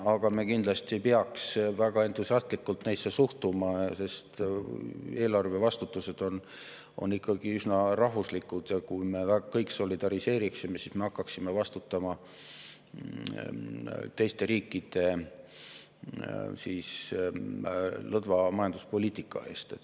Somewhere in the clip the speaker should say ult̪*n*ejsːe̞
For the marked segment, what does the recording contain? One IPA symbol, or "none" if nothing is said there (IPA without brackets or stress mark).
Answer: n